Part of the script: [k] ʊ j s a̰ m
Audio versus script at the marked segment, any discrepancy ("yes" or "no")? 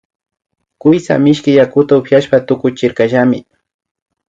no